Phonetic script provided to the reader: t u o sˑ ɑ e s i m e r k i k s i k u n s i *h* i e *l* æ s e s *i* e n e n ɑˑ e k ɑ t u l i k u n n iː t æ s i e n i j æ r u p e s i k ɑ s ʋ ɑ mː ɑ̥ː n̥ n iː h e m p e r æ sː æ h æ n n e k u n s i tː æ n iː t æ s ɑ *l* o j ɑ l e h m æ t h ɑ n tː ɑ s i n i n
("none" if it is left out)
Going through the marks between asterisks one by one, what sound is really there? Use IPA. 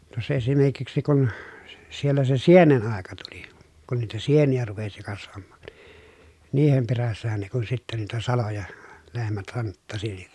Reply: s, lː, i, l

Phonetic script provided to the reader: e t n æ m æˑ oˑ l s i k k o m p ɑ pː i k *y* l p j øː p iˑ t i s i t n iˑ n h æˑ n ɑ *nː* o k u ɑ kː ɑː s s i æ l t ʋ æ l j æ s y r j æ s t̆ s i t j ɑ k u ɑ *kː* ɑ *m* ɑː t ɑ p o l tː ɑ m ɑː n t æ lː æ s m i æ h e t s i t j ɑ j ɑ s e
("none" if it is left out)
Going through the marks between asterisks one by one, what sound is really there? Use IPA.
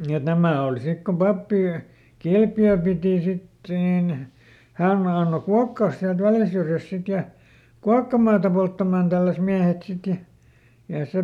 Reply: i, nː, kː, m

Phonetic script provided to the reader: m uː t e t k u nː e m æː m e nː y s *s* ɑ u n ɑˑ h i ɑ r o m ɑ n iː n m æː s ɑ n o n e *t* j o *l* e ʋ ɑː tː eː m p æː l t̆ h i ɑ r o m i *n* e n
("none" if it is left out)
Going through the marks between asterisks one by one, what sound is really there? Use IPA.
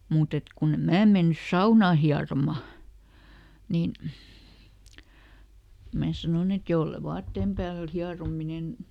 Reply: s, t, lː, n

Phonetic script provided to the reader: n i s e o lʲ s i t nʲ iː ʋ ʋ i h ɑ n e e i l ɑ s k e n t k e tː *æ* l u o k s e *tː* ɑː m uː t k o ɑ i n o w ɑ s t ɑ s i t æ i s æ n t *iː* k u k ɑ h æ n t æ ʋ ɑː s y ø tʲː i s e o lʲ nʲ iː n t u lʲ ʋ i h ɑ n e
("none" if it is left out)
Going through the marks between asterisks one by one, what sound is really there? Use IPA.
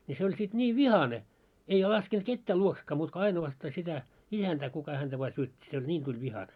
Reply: æː, kː, æː

